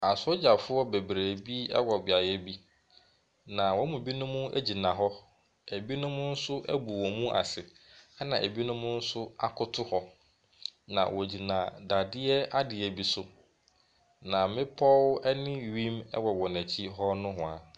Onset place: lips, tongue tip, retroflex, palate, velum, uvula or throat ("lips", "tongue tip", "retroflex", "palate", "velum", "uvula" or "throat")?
tongue tip